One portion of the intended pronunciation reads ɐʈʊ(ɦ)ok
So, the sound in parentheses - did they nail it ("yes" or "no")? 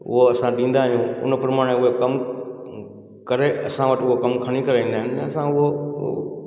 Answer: yes